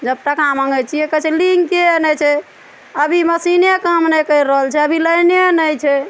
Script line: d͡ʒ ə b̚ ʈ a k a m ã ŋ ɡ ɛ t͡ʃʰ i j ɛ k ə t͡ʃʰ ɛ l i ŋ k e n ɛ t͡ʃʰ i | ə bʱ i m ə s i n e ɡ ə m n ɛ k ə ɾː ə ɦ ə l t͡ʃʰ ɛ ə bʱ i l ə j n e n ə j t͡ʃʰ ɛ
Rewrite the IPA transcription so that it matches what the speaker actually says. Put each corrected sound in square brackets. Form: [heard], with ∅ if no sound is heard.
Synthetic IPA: d͡ʒ ə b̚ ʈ a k a m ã ŋ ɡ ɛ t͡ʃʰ i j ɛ k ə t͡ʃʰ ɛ l i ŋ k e n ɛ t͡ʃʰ [ɛ] | ə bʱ i m ə s i n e [k] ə m n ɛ k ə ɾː ə ɦ ə l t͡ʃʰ ɛ ə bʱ i l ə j n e n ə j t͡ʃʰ ɛ